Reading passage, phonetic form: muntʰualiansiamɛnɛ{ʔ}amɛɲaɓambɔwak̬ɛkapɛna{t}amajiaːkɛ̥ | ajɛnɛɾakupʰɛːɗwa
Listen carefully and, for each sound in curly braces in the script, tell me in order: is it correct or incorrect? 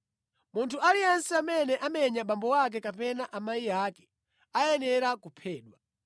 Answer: correct, incorrect

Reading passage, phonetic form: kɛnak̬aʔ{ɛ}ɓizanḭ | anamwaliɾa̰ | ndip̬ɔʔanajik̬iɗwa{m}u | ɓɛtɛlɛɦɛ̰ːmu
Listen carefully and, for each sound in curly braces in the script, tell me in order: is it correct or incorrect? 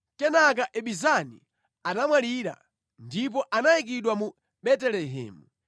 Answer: correct, correct

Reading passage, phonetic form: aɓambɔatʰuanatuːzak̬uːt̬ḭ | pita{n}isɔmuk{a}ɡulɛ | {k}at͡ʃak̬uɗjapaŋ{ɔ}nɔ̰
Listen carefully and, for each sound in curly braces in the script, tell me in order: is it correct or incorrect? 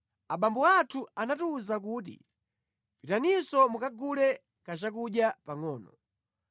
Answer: correct, correct, correct, incorrect

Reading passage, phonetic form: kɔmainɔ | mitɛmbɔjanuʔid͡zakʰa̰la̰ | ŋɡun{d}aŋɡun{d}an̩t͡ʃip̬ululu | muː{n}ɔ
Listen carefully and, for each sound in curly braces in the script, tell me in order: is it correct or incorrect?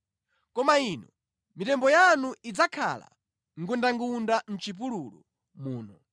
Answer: correct, correct, correct

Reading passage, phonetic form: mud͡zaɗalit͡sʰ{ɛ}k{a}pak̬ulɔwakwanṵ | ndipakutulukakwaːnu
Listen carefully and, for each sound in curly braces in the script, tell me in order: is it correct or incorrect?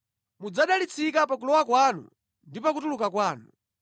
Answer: incorrect, correct

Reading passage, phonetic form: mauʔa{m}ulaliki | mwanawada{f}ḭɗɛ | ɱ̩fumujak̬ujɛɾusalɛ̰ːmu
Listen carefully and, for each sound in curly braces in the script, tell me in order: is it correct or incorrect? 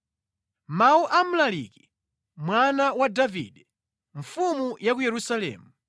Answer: correct, incorrect

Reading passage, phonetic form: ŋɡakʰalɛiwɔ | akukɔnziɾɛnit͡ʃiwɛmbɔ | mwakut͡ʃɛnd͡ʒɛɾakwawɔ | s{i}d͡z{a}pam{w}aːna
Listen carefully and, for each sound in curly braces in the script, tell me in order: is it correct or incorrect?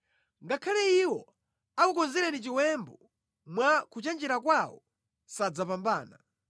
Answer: incorrect, correct, incorrect

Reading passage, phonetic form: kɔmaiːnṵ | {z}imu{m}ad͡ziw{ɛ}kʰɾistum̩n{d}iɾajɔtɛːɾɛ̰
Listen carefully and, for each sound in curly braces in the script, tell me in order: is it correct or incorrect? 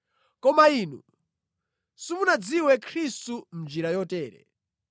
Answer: incorrect, incorrect, correct, incorrect

